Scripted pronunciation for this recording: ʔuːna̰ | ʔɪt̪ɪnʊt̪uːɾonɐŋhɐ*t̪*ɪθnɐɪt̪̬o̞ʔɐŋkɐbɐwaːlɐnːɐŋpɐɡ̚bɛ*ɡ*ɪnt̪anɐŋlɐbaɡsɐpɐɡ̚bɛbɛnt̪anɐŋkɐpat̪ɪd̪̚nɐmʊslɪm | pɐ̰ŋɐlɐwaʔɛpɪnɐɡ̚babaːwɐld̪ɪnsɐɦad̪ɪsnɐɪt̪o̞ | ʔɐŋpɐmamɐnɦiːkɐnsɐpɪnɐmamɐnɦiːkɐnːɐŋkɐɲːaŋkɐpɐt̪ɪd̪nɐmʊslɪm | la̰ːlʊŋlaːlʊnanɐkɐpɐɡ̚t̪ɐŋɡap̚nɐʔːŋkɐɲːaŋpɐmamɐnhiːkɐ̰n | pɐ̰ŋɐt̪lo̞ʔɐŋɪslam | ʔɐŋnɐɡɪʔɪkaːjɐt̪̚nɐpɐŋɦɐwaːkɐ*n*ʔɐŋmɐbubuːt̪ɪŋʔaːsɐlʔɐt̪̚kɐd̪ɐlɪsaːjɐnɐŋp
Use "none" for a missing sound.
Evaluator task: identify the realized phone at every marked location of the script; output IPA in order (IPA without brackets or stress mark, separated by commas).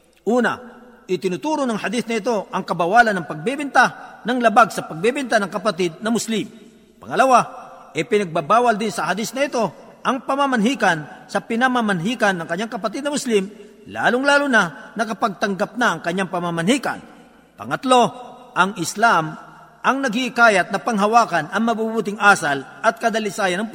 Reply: d̪, b, n